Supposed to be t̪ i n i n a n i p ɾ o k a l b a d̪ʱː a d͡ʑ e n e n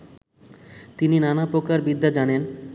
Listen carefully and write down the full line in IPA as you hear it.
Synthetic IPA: t̪ i n i n a n a p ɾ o k a ɾ b i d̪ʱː a d͡ʑ a n e n

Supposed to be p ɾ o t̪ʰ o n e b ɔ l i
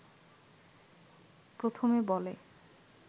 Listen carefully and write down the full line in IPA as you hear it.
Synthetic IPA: p ɾ o t̪ʰ o m e b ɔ l e

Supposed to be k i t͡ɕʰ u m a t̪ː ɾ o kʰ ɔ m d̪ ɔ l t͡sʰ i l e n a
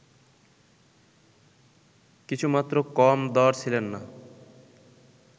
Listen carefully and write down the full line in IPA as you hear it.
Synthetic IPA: k i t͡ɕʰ u m a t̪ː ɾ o k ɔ m d̪ ɔ ɾ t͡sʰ i l e nː a

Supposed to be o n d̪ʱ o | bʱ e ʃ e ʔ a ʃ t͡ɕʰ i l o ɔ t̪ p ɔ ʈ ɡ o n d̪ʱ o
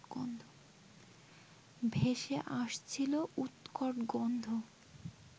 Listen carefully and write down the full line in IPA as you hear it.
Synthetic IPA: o n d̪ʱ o | bʱ e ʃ e ʔ a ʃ t͡ɕʰ i l o u t̪ k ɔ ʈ ɡ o n d̪ʱ o

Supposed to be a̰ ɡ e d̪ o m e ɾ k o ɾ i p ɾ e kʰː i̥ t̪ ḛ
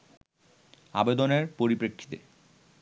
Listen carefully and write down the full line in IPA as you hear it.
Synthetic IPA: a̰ b e d̪ o n e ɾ p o ɾ i p ɾ e kʰː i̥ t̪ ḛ

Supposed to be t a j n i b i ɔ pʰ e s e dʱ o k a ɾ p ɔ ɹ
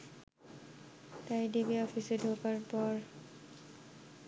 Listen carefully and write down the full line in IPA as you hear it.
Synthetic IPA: t a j d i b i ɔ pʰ i s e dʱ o k a ɹ p ɔ ɹ

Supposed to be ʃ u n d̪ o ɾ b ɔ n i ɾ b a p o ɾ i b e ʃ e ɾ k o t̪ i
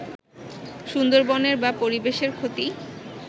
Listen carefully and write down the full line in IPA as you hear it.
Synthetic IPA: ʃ u n d̪ o ɾ b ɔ n e ɾ b a p o ɾ i b e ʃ e ɾ kʰ o t̪ i

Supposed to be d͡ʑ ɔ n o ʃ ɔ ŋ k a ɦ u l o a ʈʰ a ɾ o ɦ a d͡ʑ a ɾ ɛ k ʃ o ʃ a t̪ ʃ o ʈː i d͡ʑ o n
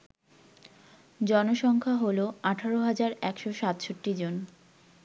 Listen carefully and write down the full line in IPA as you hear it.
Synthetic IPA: d͡ʑ ɔ n o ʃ ɔ ŋ kʰ a ɦ o l o a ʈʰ a ɾ o ɦ a d͡ʑ a ɾ ɛ k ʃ o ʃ a t̪ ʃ o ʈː i d͡ʑ o n

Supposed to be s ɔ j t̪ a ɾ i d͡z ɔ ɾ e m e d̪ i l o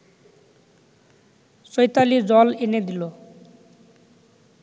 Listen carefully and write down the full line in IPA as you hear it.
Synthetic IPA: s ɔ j t̪ a l i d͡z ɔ l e n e d̪ i l o

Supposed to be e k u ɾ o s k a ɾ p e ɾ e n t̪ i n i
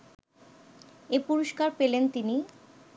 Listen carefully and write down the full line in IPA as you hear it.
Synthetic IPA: e p u ɾ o ʃ k a ɾ p e l e n t̪ i n i

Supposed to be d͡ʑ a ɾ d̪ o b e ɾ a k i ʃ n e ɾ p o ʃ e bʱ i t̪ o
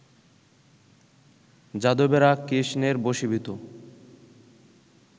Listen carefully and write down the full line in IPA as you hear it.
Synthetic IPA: d͡ʑ a d̪ o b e ɾ a k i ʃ n e ɾ b o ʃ i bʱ i t̪ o

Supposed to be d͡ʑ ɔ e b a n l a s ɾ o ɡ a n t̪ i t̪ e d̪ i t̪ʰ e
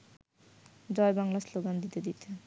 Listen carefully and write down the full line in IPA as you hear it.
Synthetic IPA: d͡ʑ ɔ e b a ŋ l a s l o ɡ a n d̪ i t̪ e d̪ i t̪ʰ e

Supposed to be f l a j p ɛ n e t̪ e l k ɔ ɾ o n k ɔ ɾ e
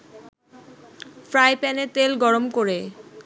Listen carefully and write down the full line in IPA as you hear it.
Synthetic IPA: f ɾ a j p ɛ n e t̪ e l ɡ ɔ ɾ o m k o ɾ e

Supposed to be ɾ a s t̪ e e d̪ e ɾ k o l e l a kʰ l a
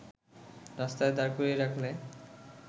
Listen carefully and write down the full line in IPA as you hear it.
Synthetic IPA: ɾ a s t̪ a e d̪ a ɾ k o ɾ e ɾ a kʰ l e

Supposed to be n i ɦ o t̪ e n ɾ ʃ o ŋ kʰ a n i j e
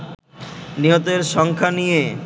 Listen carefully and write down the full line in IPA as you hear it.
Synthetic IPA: n i ɦ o t̪ e ɾ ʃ ɔ ŋ kʰ a n i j e

